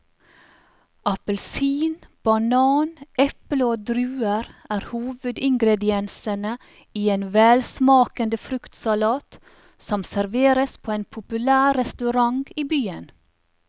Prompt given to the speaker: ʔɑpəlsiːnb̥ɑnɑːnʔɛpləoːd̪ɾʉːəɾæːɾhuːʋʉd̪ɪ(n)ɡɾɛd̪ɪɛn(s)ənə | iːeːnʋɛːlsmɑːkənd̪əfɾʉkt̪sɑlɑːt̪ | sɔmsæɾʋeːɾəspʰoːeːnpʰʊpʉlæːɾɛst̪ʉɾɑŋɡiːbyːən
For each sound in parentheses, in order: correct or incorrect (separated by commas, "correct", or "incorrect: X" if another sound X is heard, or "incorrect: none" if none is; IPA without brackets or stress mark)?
incorrect: ŋ, correct